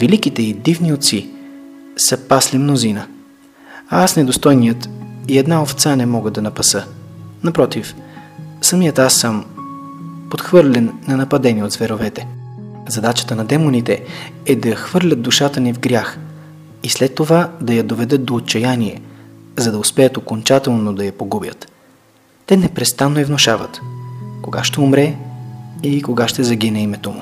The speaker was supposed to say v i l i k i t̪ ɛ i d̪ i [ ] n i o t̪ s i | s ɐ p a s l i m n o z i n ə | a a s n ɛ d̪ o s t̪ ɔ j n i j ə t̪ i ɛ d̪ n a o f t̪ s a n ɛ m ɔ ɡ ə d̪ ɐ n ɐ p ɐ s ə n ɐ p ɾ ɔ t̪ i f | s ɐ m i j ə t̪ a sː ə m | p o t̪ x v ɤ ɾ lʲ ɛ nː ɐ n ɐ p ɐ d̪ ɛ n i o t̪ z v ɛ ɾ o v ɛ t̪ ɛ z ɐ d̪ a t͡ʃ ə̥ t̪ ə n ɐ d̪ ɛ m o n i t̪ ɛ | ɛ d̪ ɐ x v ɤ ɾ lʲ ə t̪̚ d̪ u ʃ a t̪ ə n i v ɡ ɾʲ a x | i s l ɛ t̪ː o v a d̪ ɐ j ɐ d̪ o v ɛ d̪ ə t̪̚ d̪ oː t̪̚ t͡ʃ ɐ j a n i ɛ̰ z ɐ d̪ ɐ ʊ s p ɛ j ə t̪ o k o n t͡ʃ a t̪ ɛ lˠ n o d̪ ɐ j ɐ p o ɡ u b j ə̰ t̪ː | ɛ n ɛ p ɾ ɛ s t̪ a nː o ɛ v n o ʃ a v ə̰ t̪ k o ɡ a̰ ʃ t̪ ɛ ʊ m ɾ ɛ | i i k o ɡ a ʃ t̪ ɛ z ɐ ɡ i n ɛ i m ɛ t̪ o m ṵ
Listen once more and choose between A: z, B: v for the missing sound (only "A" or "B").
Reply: B